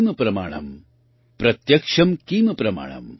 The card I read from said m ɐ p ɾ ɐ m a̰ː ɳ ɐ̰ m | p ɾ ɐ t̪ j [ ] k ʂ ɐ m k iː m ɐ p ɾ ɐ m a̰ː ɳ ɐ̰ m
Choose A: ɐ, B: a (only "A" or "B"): A